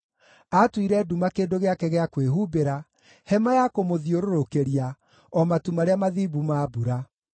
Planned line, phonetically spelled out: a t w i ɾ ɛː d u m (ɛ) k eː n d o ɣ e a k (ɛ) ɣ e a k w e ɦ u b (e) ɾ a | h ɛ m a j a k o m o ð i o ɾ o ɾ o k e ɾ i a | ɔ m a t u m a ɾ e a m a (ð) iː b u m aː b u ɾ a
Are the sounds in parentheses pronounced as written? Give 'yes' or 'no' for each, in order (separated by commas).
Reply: no, yes, yes, yes